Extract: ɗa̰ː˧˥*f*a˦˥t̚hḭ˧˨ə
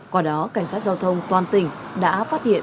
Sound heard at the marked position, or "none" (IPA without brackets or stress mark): f